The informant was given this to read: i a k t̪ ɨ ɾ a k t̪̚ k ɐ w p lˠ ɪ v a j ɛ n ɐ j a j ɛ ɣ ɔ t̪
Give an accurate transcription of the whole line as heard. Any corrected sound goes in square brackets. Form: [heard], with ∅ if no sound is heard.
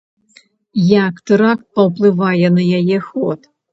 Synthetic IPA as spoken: [j] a k t̪ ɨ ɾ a k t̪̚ [p] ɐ w p lˠ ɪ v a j ɛ n ɐ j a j ɛ [x] ɔ t̪